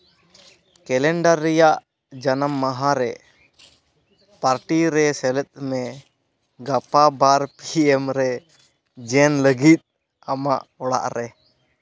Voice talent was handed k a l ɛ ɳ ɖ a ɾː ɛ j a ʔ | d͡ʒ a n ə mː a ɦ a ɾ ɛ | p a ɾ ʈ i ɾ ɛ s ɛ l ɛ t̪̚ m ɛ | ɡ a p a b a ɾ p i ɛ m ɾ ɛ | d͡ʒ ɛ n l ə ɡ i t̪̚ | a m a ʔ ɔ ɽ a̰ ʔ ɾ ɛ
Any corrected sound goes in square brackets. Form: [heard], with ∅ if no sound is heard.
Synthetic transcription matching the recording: k [ɛ] l ɛ ɳ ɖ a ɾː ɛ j a ʔ | d͡ʒ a n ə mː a ɦ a ɾ ɛ | p a ɾ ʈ i ɾ ɛ s ɛ l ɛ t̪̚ m ɛ | ɡ a p a b a ɾ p i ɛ m ɾ ɛ | d͡ʒ ɛ n l ə ɡ i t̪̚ | a m a ʔ ɔ ɽ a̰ ʔ ɾ ɛ